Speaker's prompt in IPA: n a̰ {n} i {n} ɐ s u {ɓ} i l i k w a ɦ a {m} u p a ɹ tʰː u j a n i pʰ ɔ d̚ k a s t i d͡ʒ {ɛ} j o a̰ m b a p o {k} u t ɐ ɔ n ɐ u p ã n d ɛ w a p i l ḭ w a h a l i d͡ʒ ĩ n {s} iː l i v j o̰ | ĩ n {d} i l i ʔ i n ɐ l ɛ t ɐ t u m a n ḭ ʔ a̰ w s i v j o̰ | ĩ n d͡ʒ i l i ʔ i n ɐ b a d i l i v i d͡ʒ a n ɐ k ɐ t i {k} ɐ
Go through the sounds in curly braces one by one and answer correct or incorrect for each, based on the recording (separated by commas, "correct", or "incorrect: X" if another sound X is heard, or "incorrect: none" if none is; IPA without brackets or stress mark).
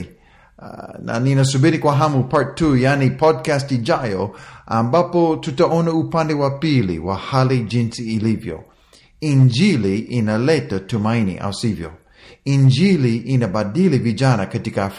correct, correct, incorrect: b, correct, incorrect: a, incorrect: t, correct, incorrect: d͡ʒ, correct